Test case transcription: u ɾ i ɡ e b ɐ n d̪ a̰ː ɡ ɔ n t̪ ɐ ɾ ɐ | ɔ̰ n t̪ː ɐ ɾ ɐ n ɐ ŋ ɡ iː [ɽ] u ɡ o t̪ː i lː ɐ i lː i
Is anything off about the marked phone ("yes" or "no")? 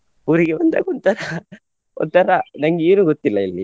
yes